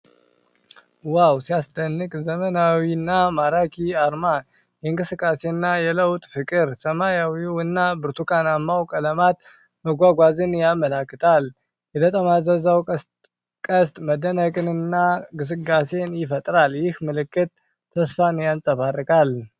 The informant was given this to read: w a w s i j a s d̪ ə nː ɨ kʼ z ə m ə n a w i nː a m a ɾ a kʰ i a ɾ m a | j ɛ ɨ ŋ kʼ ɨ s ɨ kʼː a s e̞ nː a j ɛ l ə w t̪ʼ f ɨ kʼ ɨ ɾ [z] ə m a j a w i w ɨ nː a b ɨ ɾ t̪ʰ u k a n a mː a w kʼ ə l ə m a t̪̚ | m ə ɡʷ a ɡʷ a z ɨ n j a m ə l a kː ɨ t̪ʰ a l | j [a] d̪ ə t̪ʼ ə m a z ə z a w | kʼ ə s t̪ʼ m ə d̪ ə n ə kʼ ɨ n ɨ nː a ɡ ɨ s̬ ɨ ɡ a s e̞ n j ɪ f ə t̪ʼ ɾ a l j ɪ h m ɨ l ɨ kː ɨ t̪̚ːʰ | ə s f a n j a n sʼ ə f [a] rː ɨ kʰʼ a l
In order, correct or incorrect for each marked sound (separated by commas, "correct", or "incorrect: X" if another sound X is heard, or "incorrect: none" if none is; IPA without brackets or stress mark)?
incorrect: s, incorrect: ɛ, correct